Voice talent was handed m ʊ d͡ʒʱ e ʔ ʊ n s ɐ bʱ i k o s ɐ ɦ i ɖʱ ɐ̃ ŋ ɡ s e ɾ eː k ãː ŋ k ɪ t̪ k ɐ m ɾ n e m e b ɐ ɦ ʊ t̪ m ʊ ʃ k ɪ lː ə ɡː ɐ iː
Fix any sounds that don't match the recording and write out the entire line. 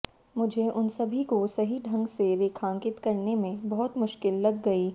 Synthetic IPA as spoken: m ʊ d͡ʒʱ e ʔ ʊ n s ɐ bʱ i k o s ɐ ɦ i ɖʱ ɐ̃ ŋ ɡ s e ɾ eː kʰ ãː ŋ k ɪ t̪ k ɐ ɾ n e m ẽ b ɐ ɦ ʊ t̪ m ʊ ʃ k ɪ lː ɐ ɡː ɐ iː

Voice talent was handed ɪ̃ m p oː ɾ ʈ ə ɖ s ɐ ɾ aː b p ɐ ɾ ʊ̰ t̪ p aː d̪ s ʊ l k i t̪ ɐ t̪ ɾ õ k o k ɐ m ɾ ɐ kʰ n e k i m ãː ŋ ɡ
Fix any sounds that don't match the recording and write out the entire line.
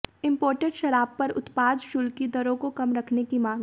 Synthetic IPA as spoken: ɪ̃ m p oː ɾ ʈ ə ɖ ʃ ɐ ɾ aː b p ɐ ɾ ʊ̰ t̪ p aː d̪ ʃ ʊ l k i d̪ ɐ ɾ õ k o k ɐ m ɾ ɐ kʰ n e k i m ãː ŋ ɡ

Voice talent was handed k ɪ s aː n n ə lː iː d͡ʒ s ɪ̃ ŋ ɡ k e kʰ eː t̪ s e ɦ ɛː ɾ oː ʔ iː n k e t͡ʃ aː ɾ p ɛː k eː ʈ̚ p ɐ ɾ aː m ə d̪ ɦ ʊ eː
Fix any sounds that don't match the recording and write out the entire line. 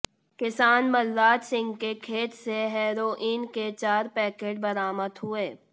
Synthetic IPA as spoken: k ɪ s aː n m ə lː aː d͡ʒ s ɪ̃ ŋ ɡ k e kʰ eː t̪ s e ɦ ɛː ɾ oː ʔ iː n k e t͡ʃ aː ɾ p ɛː k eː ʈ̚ b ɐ ɾ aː m ə d̪ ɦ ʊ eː

